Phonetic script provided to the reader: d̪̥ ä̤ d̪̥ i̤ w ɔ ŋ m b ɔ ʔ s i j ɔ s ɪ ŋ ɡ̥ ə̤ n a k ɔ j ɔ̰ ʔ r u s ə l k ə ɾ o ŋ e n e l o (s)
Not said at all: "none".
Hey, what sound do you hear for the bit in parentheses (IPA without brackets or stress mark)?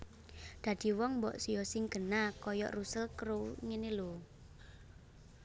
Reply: none